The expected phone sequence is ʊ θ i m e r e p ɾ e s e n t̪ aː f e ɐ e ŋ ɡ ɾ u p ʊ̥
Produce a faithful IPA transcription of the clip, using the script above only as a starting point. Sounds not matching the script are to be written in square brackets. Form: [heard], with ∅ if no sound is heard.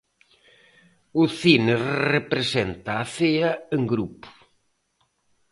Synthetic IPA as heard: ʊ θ i [n] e r e p ɾ e s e n t̪ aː [θ] e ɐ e ŋ ɡ ɾ u p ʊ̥